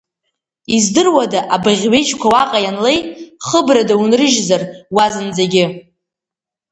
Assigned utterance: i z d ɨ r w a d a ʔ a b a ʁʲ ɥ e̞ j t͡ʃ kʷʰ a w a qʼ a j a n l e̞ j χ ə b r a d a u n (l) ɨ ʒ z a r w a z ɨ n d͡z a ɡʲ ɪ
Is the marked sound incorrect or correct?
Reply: incorrect